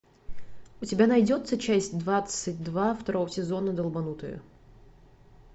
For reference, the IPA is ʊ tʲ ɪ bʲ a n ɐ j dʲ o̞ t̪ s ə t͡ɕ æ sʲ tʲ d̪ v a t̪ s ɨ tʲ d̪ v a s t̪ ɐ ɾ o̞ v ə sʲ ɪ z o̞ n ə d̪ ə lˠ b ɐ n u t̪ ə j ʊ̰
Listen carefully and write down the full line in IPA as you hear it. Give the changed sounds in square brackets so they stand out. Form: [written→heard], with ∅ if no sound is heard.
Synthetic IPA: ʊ tʲ ɪ bʲ a n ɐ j dʲ o̞ t̪ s ə t͡ɕ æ sʲ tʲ d̪ v a t̪ s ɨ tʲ d̪ v a [s→f] t̪ ɐ ɾ o̞ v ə sʲ ɪ z o̞ n ə d̪ ə lˠ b ɐ n u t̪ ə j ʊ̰